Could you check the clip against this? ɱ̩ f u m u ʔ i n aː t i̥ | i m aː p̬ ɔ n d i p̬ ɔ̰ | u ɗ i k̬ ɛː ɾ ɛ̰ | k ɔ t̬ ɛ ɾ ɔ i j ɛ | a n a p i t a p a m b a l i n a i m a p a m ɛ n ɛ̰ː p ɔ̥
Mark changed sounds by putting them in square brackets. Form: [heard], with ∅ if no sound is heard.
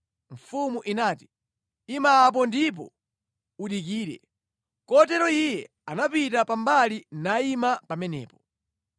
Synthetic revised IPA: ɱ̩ f u m u ʔ i n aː t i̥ | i m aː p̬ ɔ n d i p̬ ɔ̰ | u ɗ i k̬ [iː] ɾ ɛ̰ | k ɔ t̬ ɛ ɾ ɔ i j ɛ | a n a p i t a p a m b a l i n a i m a p a m ɛ n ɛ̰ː p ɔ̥